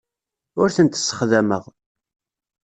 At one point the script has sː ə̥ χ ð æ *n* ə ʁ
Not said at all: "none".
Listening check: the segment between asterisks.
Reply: m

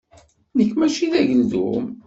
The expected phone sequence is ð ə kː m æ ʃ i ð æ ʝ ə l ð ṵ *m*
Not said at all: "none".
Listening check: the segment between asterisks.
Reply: m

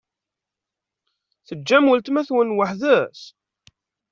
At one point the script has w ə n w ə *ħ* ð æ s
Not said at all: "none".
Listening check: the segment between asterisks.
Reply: ħ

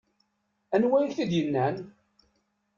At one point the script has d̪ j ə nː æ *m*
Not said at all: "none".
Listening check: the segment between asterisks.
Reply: n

